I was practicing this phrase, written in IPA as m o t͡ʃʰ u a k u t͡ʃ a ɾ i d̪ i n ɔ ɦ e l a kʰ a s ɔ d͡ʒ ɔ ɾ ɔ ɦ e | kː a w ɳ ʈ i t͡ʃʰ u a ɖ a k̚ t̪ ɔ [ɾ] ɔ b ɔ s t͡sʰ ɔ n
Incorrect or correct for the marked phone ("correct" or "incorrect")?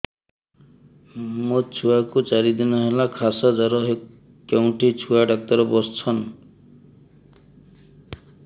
correct